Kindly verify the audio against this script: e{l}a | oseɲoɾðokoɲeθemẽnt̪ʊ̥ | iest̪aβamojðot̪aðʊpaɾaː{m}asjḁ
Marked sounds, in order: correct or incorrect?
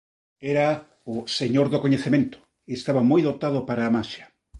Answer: incorrect, correct

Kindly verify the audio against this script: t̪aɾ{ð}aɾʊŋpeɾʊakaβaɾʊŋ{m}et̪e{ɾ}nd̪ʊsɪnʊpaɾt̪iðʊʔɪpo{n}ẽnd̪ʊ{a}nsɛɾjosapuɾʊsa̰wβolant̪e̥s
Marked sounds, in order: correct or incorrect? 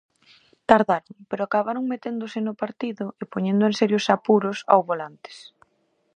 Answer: correct, correct, incorrect, incorrect, incorrect

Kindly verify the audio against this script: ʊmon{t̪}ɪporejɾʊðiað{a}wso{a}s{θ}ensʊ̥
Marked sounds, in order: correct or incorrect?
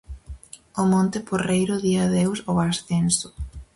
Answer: correct, incorrect, correct, correct

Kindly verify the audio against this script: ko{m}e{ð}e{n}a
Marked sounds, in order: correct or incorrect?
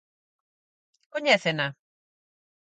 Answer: incorrect, incorrect, correct

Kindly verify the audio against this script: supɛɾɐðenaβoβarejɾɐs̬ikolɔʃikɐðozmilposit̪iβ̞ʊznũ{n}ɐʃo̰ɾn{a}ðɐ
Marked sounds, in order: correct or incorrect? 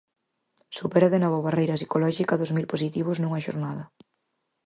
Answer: incorrect, correct

